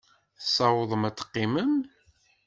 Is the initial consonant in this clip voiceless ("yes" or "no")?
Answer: yes